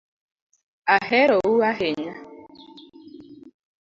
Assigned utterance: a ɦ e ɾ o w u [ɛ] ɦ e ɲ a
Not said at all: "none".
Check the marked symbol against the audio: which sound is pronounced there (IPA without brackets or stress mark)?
a